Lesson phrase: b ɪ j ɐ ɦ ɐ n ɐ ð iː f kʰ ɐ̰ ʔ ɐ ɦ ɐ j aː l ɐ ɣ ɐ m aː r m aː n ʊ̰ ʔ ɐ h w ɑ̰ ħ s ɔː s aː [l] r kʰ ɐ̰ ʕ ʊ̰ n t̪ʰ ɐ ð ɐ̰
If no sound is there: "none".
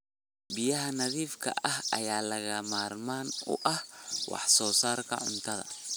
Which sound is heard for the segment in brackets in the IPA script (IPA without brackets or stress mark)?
none